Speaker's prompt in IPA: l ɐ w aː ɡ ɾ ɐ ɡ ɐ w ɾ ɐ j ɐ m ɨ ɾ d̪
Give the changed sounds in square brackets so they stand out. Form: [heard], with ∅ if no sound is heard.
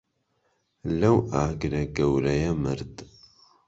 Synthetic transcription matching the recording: l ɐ w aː ɡ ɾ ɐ ɡ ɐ w ɾ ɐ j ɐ m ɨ ɾ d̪